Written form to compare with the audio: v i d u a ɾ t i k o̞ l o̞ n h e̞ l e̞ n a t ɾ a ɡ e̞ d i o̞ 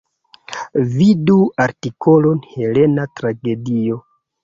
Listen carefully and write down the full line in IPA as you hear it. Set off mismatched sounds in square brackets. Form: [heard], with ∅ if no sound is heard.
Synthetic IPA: v i d u a ɾ t i k o̞ l o̞ n h e̞ l e̞ n a t ɾ a ɡ e̞ d i o̞